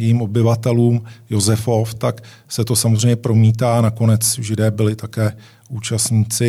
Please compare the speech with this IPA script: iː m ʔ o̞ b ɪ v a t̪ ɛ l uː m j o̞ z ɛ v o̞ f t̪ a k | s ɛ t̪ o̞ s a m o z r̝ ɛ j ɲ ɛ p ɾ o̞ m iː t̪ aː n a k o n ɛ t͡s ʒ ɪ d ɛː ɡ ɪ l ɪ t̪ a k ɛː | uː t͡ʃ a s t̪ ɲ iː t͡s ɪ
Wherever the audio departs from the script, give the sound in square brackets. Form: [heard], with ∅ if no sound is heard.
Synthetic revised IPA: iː m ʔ o̞ b ɪ v a t̪ ɛ l uː m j o̞ z ɛ [f] o̞ f t̪ a k | s ɛ t̪ o̞ s a m o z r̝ ɛ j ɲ ɛ p ɾ o̞ m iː t̪ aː n a k o n ɛ t͡s ʒ ɪ d ɛː [b] ɪ l ɪ t̪ a k ɛː | uː t͡ʃ a s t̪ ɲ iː t͡s ɪ